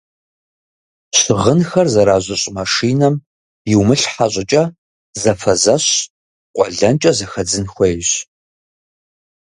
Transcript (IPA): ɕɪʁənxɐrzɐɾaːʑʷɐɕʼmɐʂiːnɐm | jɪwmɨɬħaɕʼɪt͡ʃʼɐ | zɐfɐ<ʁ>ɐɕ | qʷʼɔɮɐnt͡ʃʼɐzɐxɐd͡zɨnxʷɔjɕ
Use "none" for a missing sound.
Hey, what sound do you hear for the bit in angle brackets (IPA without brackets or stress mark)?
z